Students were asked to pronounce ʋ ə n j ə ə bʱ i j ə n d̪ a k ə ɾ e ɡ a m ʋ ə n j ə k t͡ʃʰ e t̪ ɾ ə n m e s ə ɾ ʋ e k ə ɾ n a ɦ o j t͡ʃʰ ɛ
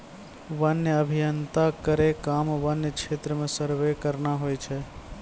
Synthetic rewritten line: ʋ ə n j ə ə bʱ i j ə n t̪ a k ə ɾ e k a m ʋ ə n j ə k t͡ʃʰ e t̪ ɾ ə m e s ə ɾ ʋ e k ə ɾ n a ɦ o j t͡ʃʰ ɛ